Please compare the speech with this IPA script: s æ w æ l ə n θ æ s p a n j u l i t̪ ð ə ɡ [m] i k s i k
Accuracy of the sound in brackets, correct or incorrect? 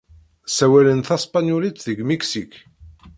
correct